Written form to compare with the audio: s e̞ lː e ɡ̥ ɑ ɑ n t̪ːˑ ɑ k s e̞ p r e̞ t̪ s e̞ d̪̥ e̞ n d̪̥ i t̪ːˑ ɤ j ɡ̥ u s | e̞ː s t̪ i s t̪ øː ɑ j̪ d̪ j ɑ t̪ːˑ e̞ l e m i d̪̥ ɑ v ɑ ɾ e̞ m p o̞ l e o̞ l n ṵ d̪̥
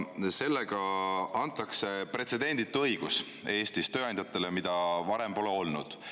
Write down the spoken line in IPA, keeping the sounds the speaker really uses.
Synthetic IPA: s e̞ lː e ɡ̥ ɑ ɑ n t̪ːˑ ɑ k s e̞ p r e̞ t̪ s e̞ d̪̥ e̞ n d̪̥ i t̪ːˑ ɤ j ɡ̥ u s | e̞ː s t̪ i s t̪ øː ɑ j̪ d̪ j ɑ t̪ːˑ e̞ l e m i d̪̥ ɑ v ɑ ɾ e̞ m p o̞ l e o̞ l n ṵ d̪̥